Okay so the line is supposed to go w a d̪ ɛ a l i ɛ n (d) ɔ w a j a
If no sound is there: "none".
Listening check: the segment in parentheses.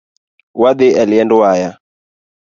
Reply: d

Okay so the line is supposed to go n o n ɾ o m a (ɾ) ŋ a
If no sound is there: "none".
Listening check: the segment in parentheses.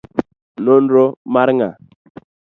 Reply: ɾ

